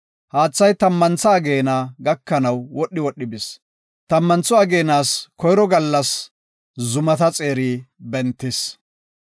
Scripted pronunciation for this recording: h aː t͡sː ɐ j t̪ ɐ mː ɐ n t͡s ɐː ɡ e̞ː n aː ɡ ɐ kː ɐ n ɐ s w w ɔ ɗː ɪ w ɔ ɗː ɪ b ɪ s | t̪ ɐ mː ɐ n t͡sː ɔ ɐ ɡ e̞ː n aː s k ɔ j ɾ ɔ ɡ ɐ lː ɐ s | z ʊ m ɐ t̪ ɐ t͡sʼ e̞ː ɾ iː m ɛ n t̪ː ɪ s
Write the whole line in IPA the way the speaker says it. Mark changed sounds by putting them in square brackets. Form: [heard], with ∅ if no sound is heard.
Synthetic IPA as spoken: h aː t͡sː ɐ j t̪ ɐ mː ɐ n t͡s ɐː ɡ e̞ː n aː ɡ ɐ kː ɐ n ɐ [∅] w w ɔ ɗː ɪ w ɔ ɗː ɪ b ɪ s | t̪ ɐ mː ɐ n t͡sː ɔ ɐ ɡ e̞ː n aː s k ɔ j ɾ ɔ ɡ ɐ lː ɐ s | z ʊ m ɐ t̪ ɐ t͡sʼ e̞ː ɾ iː [b] ɛ n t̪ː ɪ s